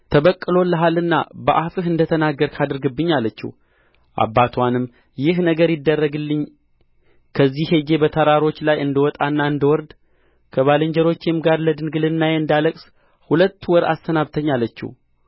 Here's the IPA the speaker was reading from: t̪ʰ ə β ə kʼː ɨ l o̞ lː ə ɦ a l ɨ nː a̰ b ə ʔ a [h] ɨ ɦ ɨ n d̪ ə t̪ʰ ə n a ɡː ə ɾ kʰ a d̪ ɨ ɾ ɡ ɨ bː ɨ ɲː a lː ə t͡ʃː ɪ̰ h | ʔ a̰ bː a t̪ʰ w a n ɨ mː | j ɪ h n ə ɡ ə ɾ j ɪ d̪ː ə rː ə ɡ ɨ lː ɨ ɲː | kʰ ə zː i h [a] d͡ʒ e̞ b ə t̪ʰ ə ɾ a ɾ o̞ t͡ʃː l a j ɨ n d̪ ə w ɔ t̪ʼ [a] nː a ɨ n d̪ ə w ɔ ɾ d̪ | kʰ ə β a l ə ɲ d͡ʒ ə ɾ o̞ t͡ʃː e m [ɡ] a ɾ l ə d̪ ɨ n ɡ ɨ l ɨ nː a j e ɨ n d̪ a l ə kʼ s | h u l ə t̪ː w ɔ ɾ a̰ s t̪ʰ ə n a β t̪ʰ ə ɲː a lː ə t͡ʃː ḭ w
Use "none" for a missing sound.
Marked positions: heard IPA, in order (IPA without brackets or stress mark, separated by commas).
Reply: f, e, a, ɡ